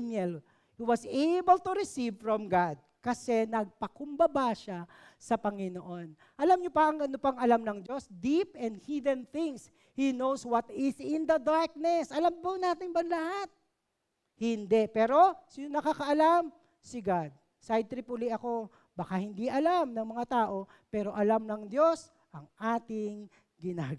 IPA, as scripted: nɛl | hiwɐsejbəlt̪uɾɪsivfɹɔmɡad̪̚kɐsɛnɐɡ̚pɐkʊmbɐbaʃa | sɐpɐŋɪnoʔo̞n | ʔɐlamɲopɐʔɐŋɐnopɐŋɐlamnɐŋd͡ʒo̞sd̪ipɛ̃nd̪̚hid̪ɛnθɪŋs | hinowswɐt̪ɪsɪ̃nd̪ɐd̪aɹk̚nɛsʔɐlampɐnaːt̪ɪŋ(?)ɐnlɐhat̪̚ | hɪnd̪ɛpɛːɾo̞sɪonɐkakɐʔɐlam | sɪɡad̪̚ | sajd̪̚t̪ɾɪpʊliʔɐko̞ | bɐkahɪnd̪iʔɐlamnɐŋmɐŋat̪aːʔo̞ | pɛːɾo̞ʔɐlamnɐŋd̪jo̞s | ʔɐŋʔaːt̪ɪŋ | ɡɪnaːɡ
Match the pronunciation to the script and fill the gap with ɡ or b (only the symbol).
b